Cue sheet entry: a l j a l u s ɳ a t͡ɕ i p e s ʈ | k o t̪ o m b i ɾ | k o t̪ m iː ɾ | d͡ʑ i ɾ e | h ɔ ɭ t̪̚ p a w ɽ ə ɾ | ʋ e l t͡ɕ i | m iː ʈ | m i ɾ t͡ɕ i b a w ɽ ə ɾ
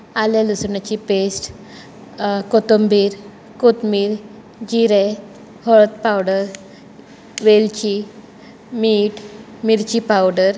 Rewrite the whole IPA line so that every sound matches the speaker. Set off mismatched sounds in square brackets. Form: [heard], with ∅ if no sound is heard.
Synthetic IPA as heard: a l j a l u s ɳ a t͡ɕ i p e s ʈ | k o t̪ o m b i ɾ | k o t̪ m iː ɾ | d͡ʑ i ɾ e | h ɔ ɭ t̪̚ p a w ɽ ə ɾ | ʋ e l t͡ɕ i | m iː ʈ | m i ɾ t͡ɕ i [p] a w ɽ ə ɾ

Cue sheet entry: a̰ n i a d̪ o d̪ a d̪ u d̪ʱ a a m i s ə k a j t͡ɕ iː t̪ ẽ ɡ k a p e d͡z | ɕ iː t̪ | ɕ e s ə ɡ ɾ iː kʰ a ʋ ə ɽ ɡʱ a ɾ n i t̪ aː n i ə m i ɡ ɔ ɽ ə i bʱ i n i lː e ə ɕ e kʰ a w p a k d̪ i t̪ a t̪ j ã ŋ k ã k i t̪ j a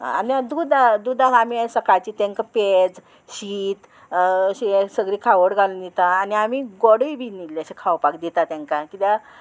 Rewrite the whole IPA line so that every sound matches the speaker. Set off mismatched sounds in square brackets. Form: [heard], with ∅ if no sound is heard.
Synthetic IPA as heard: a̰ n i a d̪ [u] d̪ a d̪ u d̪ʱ a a m i s ə k a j t͡ɕ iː t̪ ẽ [ŋ] k a p e d͡z | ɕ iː t̪ | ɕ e s ə ɡ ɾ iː kʰ a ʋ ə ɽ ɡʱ a [l] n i t̪ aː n i [a] m i ɡ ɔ ɽ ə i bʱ i n i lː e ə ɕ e kʰ a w p a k d̪ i t̪ a t̪ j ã ŋ k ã k i t̪ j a

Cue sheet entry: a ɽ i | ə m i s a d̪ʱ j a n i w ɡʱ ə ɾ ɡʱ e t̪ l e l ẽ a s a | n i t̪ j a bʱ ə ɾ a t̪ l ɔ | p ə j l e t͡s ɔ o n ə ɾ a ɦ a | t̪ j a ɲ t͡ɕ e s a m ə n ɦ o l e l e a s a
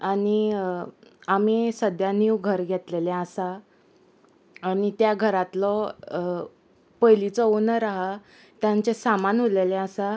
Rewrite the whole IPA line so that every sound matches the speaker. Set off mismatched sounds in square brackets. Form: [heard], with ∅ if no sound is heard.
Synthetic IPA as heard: a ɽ i | [a] m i s [ə] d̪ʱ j a n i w ɡʱ ə ɾ ɡʱ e t̪ l e l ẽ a s a | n i t̪ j a [ɡʱ] ə ɾ a t̪ l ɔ | p ə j l [i] t͡s ɔ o n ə ɾ a ɦ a | t̪ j a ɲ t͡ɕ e s a m [a] n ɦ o l e l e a s a

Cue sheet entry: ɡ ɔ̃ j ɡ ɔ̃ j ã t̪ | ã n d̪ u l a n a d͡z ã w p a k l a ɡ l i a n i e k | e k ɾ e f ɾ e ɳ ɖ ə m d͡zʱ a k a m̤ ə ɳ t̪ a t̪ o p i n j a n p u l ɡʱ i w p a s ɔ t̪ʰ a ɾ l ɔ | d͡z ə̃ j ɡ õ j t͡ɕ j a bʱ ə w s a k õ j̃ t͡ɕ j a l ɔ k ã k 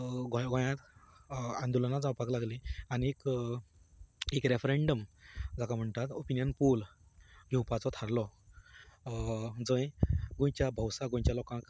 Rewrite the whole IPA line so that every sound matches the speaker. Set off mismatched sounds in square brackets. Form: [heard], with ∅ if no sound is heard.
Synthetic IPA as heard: ɡ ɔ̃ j ɡ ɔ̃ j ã t̪ | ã n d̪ u l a n a d͡z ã w p a k l a ɡ l i a n i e k | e k ɾ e f ɾ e ɳ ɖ ə m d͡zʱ a k a m̤ ə ɳ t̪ a t̪ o p i n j [ə] n p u l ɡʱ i w p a [t͡s] ɔ t̪ʰ a ɾ l ɔ | d͡z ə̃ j ɡ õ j t͡ɕ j a bʱ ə w s a [ɡ] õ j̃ t͡ɕ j a l ɔ k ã k

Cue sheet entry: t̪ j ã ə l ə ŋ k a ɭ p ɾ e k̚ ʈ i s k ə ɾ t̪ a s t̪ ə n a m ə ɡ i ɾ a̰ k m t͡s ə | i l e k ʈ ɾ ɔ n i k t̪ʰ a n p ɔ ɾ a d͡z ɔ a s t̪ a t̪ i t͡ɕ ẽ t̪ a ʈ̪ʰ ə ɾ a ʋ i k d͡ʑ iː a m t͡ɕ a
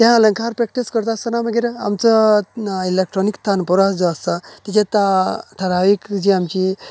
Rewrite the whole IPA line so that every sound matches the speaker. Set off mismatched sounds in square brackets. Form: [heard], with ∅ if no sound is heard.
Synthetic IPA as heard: t̪ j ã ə l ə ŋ k a [ɾ] p ɾ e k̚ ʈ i s k ə ɾ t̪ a s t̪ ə n a m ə ɡ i ɾ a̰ [∅] m t͡s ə | i l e k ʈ ɾ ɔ n i k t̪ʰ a n p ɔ ɾ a d͡z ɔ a s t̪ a t̪ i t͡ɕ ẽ t̪ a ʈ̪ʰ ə ɾ a ʋ i k d͡ʑ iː a m t͡ɕ [i]

